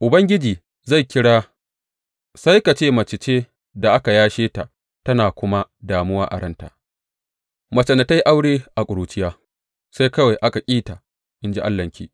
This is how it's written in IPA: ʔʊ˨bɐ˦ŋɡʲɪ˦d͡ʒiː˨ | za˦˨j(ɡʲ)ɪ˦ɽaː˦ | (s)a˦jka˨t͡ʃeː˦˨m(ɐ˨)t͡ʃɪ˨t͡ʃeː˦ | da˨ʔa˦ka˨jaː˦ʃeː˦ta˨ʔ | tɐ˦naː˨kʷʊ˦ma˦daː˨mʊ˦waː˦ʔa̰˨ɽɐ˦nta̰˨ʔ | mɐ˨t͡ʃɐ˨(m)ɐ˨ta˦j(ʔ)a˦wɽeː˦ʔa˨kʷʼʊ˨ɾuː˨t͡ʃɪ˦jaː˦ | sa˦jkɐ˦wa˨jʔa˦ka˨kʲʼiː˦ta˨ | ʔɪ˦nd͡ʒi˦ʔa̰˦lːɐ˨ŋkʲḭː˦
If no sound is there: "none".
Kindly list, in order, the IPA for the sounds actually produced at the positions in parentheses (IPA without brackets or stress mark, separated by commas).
kʲ, s, ɐ˨, n, ʔ